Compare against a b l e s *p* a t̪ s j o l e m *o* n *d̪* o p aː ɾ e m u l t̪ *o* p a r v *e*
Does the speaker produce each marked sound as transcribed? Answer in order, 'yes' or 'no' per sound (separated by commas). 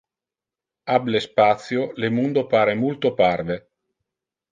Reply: yes, no, yes, yes, yes